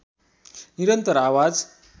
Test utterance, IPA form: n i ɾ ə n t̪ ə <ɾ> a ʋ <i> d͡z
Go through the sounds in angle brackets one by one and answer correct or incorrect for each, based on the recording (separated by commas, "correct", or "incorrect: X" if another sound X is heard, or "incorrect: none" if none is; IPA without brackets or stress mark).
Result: correct, incorrect: a